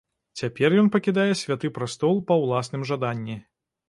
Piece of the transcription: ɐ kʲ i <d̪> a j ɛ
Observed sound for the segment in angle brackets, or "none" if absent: d̪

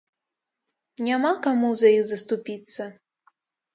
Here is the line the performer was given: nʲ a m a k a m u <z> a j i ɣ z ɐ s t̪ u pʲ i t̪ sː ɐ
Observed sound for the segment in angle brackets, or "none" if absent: z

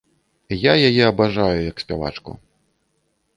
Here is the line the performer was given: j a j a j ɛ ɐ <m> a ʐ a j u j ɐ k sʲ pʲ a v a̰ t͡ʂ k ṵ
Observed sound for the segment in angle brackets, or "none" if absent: b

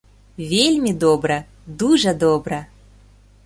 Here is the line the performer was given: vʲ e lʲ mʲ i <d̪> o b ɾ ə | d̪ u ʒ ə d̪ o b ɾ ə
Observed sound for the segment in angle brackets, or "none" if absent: d̪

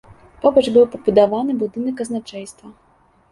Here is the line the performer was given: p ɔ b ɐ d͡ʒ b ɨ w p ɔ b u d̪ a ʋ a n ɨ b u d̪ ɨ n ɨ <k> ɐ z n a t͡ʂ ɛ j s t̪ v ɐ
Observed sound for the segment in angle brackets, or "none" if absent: k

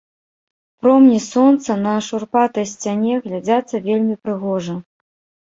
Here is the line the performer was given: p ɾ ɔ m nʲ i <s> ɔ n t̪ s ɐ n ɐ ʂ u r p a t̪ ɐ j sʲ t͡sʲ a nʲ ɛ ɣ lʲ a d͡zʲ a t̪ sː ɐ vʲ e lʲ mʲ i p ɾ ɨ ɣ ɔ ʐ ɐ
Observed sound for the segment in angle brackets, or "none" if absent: s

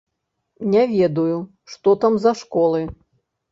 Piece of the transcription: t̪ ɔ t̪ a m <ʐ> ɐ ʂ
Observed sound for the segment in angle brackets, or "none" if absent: z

